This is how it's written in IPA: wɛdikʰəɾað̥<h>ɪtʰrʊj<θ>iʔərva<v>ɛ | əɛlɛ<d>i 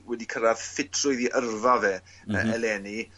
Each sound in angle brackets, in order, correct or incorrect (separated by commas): incorrect, incorrect, correct, incorrect